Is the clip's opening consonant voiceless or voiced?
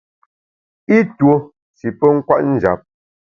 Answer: voiceless